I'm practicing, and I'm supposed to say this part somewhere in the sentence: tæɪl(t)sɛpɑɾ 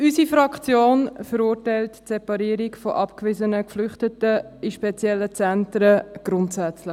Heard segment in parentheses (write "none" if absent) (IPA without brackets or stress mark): t